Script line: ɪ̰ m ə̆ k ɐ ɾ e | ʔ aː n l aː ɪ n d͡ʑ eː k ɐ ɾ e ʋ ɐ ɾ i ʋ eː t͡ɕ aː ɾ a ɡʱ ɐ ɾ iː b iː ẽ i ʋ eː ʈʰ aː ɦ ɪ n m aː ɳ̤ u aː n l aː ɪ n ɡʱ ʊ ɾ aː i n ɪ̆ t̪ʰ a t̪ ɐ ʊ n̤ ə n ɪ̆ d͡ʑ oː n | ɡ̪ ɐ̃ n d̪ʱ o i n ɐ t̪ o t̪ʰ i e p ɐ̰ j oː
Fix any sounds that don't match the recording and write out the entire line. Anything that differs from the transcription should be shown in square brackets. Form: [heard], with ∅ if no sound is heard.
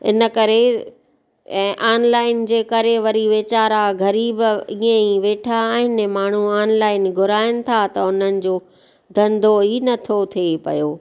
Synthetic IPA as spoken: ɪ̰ [n] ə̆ k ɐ ɾ e | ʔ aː n l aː ɪ n d͡ʑ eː k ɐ ɾ e ʋ ɐ ɾ i ʋ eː t͡ɕ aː ɾ a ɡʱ ɐ ɾ iː b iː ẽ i ʋ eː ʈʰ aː ɦ ɪ n m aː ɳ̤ u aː n l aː ɪ n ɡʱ ʊ ɾ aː [ɪ] n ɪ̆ t̪ʰ a t̪ ɐ ʊ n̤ ə n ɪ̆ d͡ʑ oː [∅] | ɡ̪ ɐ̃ n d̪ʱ o i n ɐ [t̪ʰ] o t̪ʰ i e p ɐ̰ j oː